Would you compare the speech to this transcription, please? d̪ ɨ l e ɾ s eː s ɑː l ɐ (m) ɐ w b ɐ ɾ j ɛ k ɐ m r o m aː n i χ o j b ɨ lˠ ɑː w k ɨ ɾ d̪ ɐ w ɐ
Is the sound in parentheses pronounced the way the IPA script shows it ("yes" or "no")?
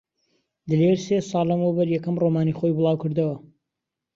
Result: yes